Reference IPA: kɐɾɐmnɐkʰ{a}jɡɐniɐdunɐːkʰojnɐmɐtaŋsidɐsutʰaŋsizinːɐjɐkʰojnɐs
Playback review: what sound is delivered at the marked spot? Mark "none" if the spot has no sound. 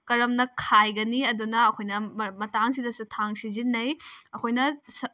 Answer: a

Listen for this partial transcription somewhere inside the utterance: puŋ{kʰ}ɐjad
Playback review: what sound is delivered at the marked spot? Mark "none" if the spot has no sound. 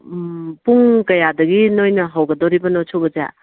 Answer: k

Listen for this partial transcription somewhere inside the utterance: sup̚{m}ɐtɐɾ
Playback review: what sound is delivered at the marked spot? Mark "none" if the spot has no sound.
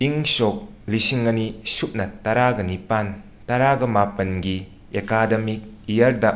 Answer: n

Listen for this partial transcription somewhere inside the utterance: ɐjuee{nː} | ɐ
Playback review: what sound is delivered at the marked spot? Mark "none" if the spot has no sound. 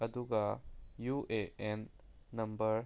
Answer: nː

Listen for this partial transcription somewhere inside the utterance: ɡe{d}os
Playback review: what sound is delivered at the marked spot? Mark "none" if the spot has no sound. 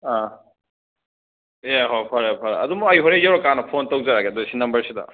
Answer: d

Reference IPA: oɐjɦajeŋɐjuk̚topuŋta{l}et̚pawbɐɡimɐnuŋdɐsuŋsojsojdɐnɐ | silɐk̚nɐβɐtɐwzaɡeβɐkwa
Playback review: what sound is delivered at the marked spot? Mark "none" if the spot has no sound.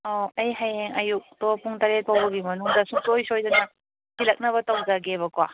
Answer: ɾ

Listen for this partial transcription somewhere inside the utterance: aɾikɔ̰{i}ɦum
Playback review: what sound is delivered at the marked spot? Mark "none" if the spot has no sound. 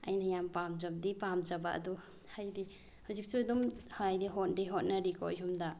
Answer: j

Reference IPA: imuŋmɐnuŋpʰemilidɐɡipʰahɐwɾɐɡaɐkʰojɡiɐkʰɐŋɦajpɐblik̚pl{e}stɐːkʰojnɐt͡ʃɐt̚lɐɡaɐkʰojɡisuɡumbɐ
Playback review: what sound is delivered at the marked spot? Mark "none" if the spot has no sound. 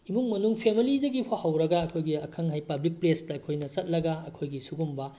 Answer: e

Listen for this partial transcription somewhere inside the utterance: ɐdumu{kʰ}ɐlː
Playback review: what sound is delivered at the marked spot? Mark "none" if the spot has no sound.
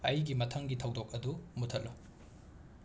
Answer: tʰ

